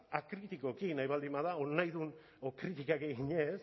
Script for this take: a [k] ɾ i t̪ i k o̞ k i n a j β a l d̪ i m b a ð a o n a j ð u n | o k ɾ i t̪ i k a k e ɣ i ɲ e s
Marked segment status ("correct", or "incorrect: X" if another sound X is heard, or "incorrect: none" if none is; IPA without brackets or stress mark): correct